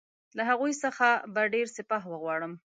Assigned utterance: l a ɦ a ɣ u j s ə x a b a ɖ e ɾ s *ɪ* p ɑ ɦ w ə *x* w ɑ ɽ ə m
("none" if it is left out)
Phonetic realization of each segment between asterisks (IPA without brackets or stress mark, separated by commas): ɪ, ɣ